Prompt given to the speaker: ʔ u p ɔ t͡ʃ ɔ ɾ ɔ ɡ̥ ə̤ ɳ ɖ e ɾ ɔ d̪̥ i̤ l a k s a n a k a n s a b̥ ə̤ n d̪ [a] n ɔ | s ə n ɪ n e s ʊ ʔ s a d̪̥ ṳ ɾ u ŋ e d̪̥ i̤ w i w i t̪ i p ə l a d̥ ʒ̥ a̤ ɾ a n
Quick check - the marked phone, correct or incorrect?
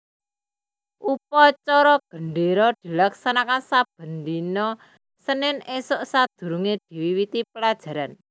incorrect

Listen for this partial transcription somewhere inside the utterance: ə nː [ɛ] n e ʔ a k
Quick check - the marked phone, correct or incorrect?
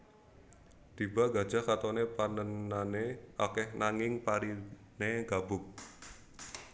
incorrect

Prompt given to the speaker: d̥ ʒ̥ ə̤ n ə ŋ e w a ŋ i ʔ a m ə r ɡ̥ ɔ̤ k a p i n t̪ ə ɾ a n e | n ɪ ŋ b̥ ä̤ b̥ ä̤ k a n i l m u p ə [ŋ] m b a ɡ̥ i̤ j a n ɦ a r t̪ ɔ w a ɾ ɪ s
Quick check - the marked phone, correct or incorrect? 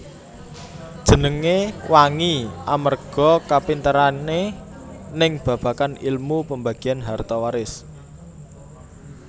incorrect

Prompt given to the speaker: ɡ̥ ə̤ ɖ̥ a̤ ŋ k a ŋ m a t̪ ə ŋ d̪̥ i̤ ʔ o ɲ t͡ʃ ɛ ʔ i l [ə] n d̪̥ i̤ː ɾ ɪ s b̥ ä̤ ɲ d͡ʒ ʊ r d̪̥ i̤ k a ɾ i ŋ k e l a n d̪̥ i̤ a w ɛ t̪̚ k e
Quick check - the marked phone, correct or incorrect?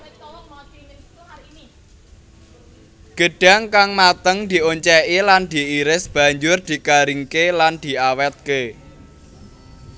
incorrect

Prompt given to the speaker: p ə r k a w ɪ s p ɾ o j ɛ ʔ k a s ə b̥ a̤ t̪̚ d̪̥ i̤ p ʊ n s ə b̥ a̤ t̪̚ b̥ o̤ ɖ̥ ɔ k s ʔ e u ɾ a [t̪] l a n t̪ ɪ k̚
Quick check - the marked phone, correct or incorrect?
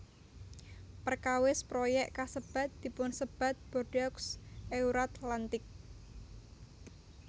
correct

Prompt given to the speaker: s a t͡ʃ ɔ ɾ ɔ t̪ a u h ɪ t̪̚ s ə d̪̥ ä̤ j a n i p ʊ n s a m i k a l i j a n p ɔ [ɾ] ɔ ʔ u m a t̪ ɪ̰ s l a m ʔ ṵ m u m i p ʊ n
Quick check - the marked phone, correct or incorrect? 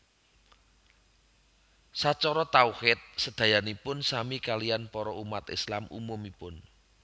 correct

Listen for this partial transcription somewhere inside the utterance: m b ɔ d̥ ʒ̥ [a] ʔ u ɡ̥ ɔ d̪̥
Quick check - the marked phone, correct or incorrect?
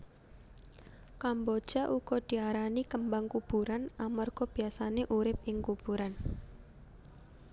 correct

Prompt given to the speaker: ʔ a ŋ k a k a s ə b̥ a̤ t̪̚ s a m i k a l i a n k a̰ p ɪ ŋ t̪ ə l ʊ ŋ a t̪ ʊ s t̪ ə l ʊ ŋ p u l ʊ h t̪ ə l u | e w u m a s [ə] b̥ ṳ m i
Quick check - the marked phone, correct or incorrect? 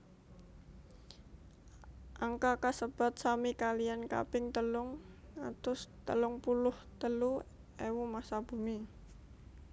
incorrect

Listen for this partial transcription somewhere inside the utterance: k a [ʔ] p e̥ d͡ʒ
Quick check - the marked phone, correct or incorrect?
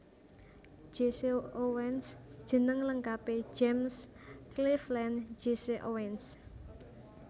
incorrect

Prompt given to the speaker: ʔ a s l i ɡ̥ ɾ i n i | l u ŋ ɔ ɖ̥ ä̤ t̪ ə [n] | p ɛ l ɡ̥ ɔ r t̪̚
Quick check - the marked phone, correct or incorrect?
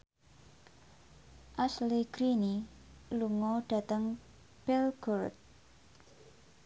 incorrect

